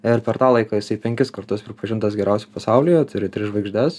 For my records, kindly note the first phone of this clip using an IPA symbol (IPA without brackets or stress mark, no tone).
ɪ